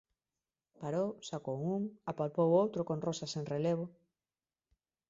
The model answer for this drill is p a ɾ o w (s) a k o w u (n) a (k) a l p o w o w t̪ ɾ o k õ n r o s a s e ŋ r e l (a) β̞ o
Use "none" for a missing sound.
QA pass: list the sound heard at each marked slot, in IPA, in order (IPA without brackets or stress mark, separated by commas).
s, ŋ, p, e